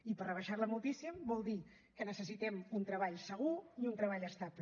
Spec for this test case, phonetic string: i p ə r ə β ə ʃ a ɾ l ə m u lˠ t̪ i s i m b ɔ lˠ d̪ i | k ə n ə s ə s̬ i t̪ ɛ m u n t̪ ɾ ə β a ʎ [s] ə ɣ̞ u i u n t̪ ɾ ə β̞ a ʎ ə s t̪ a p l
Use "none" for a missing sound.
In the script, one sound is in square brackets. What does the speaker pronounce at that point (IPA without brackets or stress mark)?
s